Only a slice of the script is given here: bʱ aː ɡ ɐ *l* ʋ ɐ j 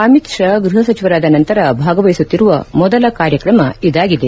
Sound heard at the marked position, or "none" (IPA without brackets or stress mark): none